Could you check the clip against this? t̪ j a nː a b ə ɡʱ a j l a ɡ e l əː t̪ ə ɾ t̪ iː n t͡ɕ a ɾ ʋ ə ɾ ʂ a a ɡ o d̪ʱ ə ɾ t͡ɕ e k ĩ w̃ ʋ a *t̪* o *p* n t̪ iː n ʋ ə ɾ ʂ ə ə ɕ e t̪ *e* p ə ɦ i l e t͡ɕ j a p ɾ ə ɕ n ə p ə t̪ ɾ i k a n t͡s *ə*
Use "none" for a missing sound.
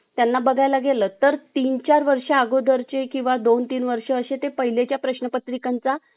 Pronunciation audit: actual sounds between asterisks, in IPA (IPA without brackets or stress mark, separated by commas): d̪, none, e, a